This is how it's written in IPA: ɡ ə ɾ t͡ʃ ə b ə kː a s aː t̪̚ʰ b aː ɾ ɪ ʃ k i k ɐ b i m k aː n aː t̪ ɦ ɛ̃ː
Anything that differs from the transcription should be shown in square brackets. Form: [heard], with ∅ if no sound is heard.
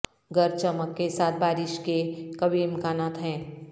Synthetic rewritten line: ɡ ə ɾ t͡ʃ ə [m] ə kː [e] s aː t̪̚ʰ b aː ɾ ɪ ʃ k [e] k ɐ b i m k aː n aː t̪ ɦ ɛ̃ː